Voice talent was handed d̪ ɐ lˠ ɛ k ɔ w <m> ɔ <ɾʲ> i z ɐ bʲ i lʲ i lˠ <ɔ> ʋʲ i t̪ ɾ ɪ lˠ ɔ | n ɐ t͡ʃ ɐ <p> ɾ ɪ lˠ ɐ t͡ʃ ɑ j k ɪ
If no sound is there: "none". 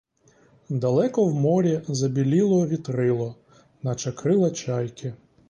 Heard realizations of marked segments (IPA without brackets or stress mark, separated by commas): m, ɾʲ, ɔ, k